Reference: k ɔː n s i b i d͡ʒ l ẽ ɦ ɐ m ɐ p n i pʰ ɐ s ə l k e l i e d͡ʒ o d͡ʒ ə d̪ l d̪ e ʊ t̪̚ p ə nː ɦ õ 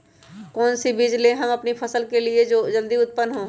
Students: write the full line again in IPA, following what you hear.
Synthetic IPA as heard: k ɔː n s i b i d͡ʒ l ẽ ɦ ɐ m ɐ p n i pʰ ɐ s ə l k e l i e d͡ʒ o d͡ʒ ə l d̪ i ʊ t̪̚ p ə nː ɦ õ